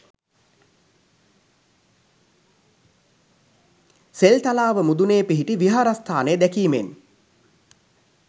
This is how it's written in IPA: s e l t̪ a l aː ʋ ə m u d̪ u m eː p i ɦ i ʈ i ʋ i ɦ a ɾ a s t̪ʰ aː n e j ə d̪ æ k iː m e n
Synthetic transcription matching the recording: s e l t̪ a l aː ʋ ə m u d̪ u n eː p i ɦ i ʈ i ʋ i ɦ a ɾ a s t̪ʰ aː n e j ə d̪ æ k iː m e n